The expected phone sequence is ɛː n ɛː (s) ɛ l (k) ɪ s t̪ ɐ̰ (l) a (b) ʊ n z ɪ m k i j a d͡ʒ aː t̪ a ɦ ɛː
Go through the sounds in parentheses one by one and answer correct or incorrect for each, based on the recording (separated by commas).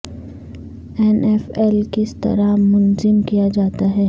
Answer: incorrect, correct, incorrect, incorrect